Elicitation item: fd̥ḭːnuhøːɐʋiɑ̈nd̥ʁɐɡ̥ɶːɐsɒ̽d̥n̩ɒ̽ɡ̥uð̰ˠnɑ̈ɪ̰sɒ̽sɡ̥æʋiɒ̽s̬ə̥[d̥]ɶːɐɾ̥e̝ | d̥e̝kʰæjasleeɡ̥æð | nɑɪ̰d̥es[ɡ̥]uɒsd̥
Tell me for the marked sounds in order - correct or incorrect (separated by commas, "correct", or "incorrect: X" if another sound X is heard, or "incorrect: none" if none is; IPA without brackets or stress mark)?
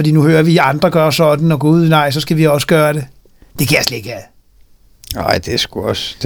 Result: incorrect: ɡ̥, correct